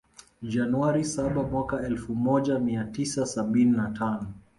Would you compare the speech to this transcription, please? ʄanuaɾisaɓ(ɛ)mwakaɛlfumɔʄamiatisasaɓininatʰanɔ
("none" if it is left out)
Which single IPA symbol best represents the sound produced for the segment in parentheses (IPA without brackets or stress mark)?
a